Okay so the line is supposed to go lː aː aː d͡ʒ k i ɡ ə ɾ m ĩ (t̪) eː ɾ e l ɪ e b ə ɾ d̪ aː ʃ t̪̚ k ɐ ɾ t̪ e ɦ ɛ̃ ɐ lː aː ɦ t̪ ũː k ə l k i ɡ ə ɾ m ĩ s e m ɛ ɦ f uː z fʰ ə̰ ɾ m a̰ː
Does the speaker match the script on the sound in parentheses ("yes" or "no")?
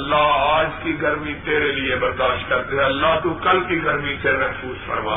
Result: yes